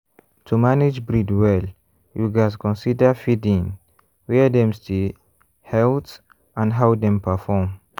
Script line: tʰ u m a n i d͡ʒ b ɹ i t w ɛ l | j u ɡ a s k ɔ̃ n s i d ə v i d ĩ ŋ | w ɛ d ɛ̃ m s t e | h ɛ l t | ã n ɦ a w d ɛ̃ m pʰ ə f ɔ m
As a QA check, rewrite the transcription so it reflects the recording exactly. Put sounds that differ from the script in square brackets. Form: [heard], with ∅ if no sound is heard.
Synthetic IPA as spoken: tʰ u m a n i d͡ʒ b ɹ i [d] w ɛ l | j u ɡ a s k ɔ̃ n s i d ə [f] i d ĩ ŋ | w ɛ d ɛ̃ m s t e | h ɛ l t | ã n ɦ a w d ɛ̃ m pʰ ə f ɔ m